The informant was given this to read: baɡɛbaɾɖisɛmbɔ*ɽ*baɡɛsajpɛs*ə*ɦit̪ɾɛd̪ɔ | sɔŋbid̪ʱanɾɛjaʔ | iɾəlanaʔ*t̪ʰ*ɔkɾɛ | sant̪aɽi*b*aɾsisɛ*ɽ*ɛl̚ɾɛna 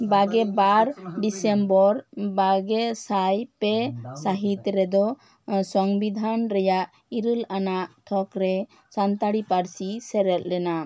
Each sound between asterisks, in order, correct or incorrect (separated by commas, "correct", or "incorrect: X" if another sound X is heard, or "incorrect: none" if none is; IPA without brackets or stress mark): incorrect: ɾ, incorrect: a, correct, incorrect: p, incorrect: ɾ